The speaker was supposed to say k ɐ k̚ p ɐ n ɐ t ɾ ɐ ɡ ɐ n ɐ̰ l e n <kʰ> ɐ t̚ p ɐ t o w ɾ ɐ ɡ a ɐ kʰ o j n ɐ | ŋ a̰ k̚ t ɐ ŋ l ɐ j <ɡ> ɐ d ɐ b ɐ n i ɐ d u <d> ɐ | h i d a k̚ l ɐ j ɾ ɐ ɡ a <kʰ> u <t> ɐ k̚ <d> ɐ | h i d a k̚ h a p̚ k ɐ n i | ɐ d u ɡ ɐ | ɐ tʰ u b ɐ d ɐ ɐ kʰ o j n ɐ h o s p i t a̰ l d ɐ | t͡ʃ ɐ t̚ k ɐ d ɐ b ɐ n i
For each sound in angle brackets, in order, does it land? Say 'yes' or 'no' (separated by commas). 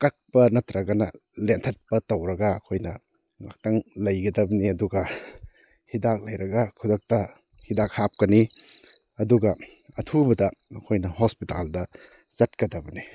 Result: no, yes, no, yes, no, no